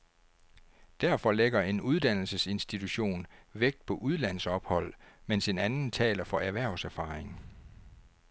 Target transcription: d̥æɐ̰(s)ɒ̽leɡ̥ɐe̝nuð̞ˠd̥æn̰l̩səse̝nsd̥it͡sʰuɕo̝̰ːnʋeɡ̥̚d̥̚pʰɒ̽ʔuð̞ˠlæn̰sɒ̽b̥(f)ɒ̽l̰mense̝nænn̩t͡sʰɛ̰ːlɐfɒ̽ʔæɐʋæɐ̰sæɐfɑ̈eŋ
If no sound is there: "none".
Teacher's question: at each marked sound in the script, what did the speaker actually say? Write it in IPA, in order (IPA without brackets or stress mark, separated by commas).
f, h